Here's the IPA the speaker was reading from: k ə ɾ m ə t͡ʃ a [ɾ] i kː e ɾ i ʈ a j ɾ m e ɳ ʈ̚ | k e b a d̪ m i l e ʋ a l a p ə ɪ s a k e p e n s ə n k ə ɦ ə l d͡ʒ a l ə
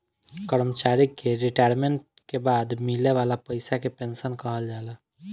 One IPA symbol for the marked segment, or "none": ɾ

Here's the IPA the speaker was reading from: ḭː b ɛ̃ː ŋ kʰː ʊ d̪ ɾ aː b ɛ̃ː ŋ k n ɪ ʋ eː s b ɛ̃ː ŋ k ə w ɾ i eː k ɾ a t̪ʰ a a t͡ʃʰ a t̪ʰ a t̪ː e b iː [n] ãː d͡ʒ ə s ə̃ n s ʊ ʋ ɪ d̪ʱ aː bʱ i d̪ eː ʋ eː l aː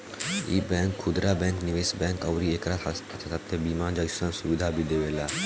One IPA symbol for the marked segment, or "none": m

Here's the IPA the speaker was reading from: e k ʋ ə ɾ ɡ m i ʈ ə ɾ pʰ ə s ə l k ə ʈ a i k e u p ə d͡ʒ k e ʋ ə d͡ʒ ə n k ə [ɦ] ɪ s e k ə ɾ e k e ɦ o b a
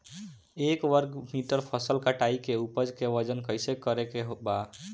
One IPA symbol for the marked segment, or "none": none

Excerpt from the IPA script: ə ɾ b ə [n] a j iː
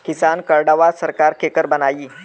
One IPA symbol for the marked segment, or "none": n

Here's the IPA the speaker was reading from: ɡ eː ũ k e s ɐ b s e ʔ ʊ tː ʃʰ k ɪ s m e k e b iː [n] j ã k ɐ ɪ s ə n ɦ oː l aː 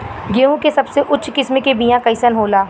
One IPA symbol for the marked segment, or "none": none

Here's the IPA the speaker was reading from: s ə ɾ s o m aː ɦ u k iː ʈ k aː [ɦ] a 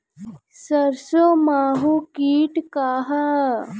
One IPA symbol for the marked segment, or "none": ɦ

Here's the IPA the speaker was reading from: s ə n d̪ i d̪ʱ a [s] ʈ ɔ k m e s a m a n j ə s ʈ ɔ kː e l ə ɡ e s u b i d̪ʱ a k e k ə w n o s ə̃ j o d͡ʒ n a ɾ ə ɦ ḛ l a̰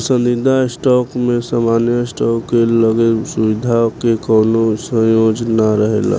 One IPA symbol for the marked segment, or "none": s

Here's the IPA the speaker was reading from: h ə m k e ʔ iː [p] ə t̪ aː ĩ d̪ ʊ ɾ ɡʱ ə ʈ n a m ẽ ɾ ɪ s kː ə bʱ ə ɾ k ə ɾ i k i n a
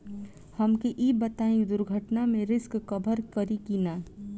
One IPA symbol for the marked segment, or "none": b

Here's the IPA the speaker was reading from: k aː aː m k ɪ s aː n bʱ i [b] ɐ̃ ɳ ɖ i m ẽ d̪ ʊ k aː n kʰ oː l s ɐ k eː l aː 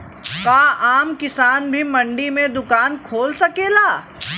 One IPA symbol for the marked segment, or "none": m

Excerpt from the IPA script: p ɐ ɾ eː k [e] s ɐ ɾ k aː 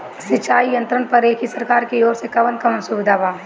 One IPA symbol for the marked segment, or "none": i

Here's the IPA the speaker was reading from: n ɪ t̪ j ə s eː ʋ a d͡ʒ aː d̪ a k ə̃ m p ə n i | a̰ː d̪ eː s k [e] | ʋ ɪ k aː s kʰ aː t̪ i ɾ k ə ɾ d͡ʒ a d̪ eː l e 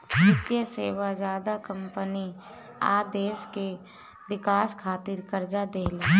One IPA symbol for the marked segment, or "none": e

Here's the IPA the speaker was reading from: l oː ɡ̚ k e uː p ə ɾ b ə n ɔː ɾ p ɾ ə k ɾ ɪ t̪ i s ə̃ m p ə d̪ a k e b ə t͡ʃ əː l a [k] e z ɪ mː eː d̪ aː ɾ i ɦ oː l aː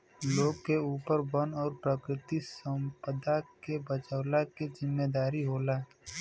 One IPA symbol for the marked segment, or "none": k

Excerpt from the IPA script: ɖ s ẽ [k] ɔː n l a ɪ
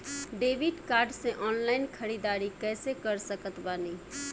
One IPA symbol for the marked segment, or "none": ʔ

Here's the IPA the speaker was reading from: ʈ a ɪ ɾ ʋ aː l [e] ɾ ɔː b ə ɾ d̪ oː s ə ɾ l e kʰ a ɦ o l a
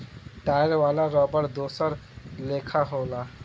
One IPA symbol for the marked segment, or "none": a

